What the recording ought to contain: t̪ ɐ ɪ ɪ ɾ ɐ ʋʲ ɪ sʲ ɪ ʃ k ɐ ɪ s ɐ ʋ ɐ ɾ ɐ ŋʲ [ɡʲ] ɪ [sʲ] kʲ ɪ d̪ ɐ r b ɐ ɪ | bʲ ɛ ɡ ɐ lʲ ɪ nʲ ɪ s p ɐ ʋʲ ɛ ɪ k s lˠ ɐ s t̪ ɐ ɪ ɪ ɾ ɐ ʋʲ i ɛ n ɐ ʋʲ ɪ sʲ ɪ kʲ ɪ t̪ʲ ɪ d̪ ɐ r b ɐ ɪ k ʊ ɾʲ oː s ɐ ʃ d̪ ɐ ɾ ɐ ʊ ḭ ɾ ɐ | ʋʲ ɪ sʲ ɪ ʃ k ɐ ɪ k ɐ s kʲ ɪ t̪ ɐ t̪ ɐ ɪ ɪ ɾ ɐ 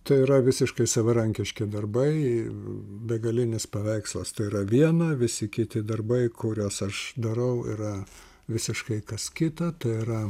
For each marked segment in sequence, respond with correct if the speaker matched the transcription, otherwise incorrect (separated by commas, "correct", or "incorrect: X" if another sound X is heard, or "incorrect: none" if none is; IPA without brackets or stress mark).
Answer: incorrect: kʲ, incorrect: ʃʲ